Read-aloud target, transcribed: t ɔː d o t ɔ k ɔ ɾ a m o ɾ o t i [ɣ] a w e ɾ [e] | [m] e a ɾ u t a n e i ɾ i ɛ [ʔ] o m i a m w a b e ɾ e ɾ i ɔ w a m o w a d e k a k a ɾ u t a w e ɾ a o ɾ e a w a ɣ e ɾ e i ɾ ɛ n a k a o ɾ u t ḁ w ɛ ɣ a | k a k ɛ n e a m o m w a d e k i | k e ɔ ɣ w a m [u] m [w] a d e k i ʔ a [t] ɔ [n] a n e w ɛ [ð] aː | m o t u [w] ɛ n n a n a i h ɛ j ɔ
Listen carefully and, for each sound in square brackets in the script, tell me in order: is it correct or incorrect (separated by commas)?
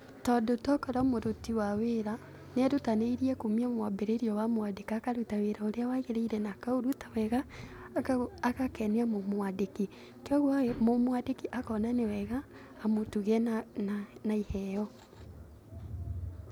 incorrect, incorrect, incorrect, incorrect, incorrect, correct, incorrect, correct, incorrect, incorrect